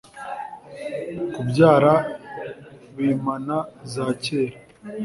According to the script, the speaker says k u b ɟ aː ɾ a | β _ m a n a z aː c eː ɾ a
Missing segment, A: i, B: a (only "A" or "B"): A